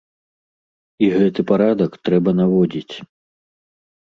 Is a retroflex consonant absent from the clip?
yes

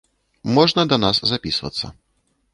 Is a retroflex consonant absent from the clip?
no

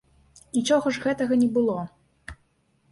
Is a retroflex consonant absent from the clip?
no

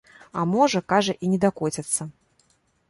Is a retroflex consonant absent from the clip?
no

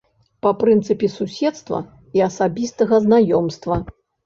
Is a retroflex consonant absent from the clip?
yes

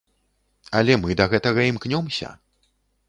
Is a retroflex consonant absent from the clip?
yes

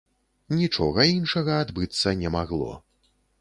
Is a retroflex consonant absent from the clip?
no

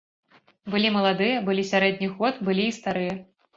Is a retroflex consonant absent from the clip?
yes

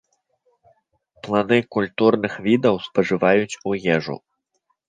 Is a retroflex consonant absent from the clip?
no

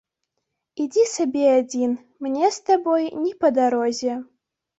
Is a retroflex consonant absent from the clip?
yes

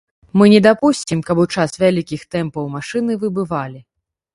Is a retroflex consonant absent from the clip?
no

